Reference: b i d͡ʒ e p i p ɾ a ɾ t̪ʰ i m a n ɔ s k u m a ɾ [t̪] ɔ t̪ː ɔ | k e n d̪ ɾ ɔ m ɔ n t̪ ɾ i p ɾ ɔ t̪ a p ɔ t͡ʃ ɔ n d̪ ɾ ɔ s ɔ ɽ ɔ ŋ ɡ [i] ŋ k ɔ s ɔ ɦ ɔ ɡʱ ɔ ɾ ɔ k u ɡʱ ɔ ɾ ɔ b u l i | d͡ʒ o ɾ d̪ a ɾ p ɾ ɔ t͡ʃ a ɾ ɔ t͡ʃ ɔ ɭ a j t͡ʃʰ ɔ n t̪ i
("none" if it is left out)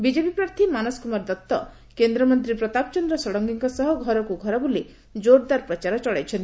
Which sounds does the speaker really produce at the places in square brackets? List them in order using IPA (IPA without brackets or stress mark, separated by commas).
d̪, i